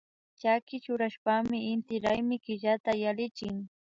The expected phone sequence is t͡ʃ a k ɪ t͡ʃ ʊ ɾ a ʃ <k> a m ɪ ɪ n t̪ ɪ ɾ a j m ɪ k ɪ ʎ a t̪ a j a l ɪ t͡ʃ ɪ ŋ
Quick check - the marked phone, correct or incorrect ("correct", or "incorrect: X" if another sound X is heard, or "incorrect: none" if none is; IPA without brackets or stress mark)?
incorrect: p